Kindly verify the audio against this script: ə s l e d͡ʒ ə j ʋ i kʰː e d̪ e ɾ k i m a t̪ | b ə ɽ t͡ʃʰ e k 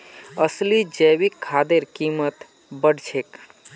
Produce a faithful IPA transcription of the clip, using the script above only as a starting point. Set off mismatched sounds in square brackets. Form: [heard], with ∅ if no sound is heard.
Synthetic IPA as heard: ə s l [i] d͡ʒ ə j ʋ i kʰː [a] d̪ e ɾ k i m [ə] t̪ | b ə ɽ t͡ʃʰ e k